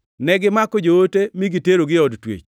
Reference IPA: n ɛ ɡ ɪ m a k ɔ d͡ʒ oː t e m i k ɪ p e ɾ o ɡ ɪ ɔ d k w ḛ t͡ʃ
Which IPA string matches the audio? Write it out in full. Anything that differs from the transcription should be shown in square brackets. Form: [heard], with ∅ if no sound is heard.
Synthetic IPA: n ɛ ɡ ɪ m a k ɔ d͡ʒ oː t e m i [ɡ] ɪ [t] e ɾ o ɡ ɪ ɔ d [t] w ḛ t͡ʃ